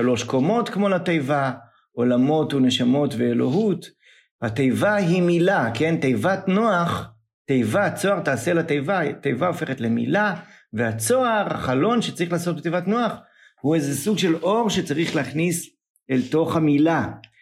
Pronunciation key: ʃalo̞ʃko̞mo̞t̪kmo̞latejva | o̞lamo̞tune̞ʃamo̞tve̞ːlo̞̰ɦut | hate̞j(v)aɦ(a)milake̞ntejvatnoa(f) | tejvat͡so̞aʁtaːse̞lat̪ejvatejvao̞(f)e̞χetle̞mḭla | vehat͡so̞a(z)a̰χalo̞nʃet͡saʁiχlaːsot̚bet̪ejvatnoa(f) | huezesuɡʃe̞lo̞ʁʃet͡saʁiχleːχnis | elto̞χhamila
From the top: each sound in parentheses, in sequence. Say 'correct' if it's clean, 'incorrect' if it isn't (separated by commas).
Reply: correct, incorrect, incorrect, correct, incorrect, incorrect